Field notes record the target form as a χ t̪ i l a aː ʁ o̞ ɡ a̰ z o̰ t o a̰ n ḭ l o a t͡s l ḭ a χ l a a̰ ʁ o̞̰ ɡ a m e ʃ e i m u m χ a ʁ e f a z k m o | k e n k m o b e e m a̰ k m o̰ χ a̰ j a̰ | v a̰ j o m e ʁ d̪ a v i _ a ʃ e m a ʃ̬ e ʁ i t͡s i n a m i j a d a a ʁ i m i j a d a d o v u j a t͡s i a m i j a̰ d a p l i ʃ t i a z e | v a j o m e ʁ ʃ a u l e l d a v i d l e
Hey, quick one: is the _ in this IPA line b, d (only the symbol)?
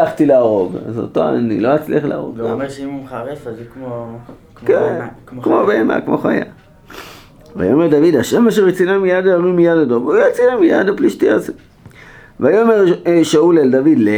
d